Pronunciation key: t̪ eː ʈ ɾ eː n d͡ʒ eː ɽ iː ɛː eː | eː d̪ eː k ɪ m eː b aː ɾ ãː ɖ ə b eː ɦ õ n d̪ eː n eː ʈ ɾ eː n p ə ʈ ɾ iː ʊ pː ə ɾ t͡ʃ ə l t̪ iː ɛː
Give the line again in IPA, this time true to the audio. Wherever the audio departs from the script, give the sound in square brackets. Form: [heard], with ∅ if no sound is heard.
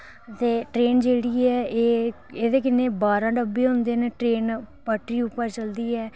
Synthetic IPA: t̪ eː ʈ ɾ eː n d͡ʒ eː ɽ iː ɛː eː | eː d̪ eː k ɪ [n] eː b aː ɾ ãː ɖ ə b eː ɦ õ n d̪ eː n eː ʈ ɾ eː n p ə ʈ ɾ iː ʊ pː ə ɾ t͡ʃ ə l [d̪] iː ɛː